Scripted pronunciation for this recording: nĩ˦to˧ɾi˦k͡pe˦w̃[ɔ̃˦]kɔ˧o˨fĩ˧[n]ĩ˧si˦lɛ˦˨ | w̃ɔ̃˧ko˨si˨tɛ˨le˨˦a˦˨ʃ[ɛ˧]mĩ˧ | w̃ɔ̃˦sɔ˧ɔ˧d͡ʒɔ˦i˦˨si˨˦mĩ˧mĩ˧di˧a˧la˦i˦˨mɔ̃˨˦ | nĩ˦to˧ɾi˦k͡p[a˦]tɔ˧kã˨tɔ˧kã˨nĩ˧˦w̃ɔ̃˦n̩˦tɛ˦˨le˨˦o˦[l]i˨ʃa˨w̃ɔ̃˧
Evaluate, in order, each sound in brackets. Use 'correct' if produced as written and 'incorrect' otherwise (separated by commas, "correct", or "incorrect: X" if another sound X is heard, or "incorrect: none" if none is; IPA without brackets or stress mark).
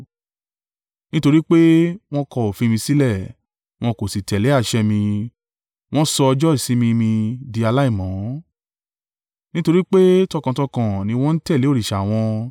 correct, incorrect: m, correct, incorrect: e˦, incorrect: ɾ